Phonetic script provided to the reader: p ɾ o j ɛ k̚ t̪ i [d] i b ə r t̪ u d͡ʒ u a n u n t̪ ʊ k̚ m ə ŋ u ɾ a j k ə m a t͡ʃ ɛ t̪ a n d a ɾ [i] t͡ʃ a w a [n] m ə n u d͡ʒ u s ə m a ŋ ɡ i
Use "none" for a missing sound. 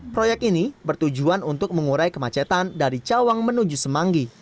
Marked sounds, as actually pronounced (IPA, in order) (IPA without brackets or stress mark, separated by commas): n, i, ŋ